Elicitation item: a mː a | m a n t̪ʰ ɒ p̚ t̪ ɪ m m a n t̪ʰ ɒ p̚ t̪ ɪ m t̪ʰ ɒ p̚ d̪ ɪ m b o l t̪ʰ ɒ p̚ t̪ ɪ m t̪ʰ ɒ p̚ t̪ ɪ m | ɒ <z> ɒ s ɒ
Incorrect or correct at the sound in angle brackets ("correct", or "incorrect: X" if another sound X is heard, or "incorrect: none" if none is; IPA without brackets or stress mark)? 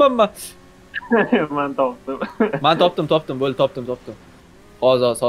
correct